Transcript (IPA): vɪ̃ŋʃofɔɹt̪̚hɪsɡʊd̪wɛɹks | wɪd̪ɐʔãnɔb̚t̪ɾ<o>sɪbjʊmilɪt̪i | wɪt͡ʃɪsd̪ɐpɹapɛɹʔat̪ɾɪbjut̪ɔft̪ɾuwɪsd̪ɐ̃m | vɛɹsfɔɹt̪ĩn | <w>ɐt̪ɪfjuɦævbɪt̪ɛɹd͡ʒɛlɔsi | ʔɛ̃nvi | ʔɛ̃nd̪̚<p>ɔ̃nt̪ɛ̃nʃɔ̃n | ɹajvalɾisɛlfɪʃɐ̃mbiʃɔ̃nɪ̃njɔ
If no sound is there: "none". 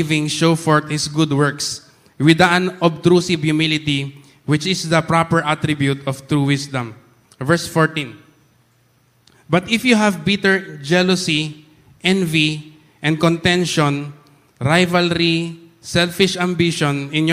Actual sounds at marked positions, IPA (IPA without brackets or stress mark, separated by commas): u, b, k